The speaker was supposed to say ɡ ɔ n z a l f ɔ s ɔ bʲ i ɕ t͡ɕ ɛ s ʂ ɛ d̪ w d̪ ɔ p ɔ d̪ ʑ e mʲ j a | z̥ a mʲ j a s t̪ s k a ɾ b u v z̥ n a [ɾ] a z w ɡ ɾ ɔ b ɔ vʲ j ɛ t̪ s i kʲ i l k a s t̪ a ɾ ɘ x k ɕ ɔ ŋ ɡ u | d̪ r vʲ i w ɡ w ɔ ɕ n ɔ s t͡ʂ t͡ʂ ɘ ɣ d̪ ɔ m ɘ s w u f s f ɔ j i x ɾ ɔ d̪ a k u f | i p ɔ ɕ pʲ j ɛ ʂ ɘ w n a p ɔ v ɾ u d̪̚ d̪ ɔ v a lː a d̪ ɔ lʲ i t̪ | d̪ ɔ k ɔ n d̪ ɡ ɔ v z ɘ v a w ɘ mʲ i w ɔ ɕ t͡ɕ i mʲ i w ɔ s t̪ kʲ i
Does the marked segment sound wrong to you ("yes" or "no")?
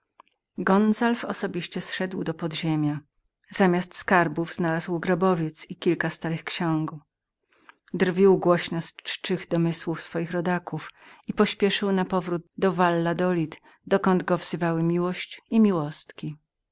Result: yes